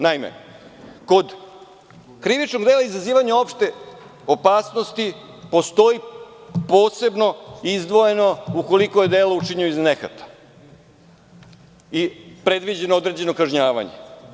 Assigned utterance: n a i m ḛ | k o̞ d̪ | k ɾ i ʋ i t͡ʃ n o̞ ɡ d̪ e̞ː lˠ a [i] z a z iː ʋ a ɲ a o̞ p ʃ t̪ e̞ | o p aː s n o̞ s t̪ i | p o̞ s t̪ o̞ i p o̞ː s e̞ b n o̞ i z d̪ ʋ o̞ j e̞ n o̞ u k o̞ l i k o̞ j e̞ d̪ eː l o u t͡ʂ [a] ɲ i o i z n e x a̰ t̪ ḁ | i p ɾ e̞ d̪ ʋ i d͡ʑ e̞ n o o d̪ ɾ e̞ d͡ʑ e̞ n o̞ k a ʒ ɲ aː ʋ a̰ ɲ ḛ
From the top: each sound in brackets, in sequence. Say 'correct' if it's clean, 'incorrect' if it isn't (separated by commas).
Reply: correct, incorrect